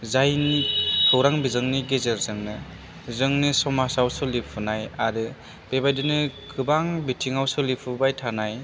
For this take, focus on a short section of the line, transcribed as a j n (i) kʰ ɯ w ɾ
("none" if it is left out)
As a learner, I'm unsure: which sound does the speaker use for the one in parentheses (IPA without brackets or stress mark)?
i